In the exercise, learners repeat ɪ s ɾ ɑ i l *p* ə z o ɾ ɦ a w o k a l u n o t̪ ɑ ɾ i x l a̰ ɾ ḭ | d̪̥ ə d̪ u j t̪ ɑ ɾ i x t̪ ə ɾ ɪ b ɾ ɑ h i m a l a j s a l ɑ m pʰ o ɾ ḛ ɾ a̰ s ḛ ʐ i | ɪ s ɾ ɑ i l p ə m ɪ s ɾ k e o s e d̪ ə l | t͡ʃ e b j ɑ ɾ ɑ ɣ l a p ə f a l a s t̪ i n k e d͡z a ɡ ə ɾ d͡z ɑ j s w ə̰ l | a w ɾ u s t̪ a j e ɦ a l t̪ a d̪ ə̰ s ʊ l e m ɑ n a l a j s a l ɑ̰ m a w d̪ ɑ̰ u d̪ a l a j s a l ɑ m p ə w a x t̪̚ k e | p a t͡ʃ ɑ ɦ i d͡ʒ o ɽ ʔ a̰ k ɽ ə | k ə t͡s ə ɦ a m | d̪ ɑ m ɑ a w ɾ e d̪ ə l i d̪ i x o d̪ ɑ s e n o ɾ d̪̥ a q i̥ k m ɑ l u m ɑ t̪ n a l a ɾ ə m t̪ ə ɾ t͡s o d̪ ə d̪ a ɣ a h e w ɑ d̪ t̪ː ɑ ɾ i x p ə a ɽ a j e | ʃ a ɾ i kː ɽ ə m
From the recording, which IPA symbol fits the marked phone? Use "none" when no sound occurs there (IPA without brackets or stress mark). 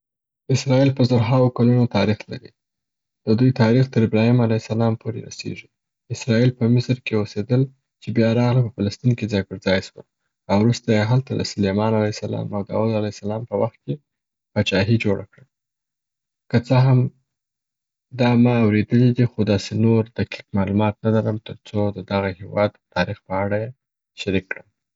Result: p